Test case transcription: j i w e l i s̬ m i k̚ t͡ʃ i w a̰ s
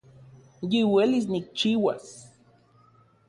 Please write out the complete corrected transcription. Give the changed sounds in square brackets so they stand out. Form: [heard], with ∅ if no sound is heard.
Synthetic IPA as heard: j i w e l i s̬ [n] i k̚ t͡ʃ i w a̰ s